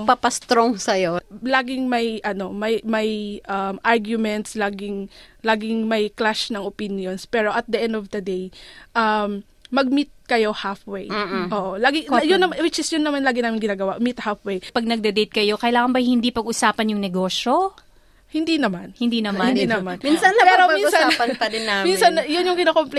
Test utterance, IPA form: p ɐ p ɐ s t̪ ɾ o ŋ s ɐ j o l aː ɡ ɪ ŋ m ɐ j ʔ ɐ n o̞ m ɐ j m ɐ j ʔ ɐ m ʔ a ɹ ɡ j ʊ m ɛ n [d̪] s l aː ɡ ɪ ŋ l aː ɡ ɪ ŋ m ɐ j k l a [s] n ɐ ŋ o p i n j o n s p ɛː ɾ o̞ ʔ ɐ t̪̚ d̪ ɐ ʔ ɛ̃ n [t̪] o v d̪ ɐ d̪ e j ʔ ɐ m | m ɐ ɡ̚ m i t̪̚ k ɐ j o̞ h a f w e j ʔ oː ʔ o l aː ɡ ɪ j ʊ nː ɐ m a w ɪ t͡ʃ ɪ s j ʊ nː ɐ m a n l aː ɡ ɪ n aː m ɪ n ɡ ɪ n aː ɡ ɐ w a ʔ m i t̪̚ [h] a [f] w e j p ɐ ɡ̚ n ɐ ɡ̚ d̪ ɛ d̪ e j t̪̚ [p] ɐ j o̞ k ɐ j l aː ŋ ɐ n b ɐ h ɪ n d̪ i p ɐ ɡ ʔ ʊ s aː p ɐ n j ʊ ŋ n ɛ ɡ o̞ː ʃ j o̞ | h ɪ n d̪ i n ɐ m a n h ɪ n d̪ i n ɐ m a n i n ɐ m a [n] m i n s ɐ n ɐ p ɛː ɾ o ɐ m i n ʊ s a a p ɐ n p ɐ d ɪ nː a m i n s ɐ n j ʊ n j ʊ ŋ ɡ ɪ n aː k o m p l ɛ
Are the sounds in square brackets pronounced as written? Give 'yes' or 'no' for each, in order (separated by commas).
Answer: no, no, no, yes, yes, no, yes